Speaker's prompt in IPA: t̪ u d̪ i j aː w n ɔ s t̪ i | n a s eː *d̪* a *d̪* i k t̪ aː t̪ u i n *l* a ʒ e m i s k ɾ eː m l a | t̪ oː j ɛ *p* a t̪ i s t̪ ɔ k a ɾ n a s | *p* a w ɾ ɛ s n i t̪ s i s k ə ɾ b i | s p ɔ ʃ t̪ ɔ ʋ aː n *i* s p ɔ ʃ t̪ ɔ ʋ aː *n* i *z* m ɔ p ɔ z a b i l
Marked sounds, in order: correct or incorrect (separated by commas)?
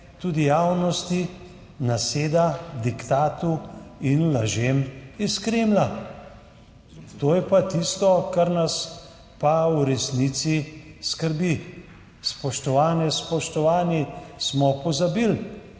correct, correct, correct, correct, correct, incorrect, correct, incorrect